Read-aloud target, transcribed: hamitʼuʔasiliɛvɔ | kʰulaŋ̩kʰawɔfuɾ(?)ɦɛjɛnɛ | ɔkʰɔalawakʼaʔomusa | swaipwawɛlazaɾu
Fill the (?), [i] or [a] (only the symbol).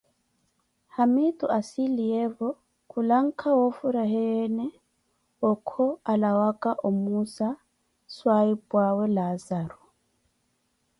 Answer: a